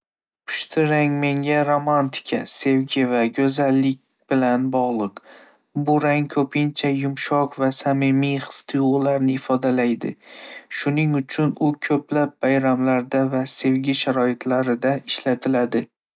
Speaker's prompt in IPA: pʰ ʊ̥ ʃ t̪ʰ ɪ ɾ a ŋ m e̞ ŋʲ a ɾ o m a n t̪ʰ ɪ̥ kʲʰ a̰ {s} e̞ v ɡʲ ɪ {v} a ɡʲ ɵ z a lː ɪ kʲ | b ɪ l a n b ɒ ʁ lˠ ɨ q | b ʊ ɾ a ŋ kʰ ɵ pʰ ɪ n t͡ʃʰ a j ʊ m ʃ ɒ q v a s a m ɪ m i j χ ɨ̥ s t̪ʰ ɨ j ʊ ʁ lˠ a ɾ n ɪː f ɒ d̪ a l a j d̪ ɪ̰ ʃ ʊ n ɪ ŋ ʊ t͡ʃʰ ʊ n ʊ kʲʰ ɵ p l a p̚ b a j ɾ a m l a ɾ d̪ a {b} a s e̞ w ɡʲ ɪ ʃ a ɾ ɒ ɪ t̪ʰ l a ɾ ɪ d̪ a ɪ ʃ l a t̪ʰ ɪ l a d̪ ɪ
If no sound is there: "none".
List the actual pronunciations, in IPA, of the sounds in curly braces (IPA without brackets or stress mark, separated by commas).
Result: s, v, v